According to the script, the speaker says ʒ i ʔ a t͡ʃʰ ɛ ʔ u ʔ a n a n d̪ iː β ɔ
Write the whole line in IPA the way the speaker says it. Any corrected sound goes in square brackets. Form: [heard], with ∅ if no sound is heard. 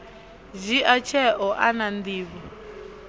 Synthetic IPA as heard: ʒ i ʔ a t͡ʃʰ ɛ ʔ [ɔ] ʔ a n a n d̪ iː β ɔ